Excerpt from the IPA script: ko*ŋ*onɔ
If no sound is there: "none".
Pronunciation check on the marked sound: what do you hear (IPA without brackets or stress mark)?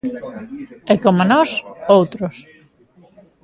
m